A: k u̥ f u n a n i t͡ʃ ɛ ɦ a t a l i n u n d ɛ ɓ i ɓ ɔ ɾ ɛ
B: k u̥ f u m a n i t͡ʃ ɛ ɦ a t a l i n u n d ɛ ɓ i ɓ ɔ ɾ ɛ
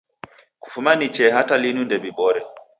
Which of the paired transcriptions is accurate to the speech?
B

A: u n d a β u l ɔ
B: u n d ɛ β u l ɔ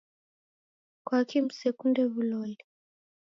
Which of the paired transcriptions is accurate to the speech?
B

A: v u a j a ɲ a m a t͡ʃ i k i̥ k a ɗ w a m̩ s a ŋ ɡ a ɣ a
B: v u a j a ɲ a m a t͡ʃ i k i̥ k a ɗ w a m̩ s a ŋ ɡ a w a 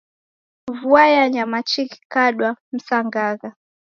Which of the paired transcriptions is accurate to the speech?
A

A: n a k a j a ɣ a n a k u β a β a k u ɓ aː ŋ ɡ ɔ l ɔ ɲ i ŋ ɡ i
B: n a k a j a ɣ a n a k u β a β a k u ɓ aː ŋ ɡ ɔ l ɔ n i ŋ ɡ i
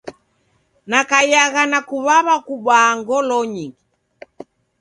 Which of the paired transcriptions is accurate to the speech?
A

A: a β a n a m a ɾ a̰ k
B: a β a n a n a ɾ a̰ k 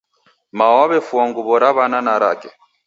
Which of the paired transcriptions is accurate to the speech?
B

